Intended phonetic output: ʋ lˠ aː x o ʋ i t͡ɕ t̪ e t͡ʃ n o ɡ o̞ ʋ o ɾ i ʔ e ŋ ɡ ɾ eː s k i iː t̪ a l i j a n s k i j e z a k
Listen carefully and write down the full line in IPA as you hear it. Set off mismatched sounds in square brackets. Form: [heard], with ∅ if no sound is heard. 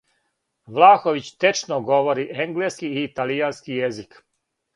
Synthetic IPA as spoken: ʋ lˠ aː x o ʋ i t͡ɕ t̪ e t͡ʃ n o ɡ o̞ ʋ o ɾ i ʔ e ŋ ɡ [l] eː s k i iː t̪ a l i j a n s k i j e z [i] k